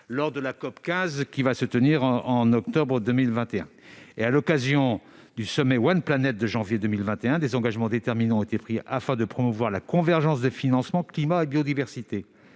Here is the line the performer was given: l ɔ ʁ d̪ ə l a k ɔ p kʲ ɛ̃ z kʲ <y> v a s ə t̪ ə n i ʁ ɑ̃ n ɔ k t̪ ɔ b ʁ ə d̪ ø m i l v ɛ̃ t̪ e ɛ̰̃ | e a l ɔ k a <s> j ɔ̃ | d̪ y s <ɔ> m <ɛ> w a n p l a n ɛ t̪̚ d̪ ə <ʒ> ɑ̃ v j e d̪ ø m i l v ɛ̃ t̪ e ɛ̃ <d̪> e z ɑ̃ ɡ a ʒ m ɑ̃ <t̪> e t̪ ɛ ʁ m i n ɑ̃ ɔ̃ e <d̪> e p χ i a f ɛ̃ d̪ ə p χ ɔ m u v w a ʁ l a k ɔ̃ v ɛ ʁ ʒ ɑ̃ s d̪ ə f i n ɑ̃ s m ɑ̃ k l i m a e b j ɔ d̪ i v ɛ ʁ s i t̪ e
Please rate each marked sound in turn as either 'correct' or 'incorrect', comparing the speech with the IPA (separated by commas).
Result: incorrect, incorrect, correct, correct, correct, correct, incorrect, incorrect